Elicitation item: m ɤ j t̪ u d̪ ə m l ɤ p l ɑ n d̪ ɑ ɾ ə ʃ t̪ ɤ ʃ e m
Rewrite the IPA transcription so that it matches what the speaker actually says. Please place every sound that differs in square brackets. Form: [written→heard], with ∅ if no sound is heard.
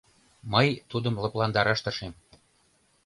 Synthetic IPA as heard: m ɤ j t̪ u d̪ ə m l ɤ p l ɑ n d̪ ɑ ɾ [ə→ɑ] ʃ t̪ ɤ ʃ e m